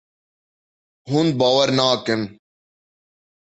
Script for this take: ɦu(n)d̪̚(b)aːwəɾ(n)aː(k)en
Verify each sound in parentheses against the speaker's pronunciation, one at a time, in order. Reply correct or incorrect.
correct, correct, correct, correct

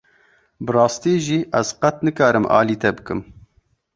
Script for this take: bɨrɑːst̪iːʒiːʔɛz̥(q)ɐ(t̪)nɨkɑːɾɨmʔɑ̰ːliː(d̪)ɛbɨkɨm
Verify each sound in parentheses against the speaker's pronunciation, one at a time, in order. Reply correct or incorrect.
correct, correct, incorrect

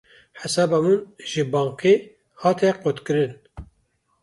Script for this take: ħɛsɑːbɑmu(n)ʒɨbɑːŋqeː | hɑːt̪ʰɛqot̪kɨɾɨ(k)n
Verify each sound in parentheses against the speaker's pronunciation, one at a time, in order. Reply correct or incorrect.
correct, incorrect

